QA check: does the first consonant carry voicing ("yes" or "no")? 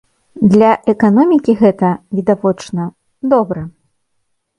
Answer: yes